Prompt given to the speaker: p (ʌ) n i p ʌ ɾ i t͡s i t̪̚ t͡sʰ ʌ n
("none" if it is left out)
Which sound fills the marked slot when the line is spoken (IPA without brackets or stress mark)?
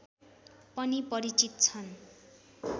ʌ